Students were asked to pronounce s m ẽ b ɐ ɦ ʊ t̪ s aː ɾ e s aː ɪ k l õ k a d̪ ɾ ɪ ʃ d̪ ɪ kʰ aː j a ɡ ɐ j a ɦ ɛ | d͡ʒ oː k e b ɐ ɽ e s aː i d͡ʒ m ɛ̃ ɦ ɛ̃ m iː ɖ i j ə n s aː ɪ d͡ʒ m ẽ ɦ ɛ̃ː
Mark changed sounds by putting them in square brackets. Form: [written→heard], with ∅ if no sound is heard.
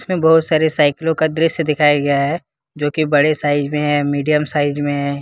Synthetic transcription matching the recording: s m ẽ b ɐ ɦ ʊ t̪ s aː ɾ e s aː ɪ k l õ k a d̪ ɾ ɪ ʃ d̪ ɪ kʰ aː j a ɡ ɐ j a ɦ ɛ | d͡ʒ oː k [e→i] b ɐ ɽ e s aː [i→ɪ] d͡ʒ m [ɛ̃→ẽ] ɦ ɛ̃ m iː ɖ i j ə [n→m] s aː ɪ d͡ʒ m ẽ ɦ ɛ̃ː